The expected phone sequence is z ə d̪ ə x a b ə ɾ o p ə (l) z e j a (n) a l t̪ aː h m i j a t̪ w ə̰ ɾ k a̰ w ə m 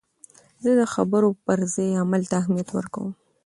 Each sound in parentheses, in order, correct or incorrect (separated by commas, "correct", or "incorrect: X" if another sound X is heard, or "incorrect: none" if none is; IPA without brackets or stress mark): incorrect: ɾ, incorrect: m